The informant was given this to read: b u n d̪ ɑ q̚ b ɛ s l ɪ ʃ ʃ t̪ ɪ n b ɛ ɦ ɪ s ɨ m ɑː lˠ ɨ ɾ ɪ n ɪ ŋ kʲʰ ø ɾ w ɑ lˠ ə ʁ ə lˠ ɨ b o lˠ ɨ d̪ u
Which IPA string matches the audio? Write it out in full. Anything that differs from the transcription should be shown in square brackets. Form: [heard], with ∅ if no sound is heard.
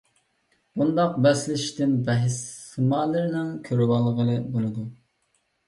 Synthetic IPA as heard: b u n d̪ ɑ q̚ b ɛ s l ɪ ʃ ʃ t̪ ɪ n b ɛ ɦ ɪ s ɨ m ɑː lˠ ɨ ɾ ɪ n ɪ ŋ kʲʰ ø ɾ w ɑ lˠ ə ʁ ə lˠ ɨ b o lˠ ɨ d̪ u